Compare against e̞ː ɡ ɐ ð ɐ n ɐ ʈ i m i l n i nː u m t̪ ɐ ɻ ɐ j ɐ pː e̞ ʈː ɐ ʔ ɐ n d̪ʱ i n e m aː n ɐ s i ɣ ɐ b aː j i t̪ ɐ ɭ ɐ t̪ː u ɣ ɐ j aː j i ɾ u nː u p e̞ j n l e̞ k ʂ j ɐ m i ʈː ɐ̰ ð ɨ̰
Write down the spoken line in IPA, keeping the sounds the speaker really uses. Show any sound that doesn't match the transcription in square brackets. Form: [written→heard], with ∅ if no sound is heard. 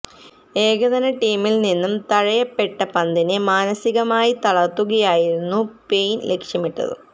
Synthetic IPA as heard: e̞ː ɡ ɐ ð ɐ n ɐ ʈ [i→iː] m i l n i nː u m t̪ ɐ ɻ ɐ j ɐ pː e̞ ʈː ɐ [ʔ→p] ɐ n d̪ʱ i n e m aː n ɐ s i ɣ ɐ [b→m] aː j i t̪ ɐ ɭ ɐ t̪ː u ɣ ɐ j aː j i ɾ u nː u p e̞ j n l e̞ k ʂ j ɐ m i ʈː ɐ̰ ð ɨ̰